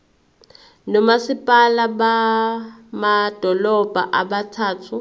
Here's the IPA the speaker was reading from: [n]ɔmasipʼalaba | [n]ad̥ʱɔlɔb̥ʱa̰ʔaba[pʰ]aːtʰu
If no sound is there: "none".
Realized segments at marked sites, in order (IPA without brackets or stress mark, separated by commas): n, m, tʰ